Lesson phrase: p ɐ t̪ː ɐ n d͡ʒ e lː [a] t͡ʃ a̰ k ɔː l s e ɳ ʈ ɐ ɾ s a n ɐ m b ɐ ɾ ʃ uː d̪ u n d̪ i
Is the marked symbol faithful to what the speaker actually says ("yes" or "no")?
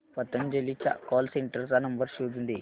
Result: no